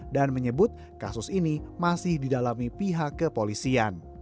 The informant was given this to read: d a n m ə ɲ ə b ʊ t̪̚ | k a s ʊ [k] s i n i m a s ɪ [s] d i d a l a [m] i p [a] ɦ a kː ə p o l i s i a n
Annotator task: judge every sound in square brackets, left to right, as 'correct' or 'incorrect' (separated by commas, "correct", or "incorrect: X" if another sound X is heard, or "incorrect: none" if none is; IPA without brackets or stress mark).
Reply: incorrect: none, incorrect: h, correct, incorrect: i